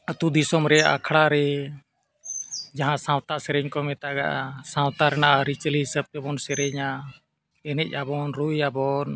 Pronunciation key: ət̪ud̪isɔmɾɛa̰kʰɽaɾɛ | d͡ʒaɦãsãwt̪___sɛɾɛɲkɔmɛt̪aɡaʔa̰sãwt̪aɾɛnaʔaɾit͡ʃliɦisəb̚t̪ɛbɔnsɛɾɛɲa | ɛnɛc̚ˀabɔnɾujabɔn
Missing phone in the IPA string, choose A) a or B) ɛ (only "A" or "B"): A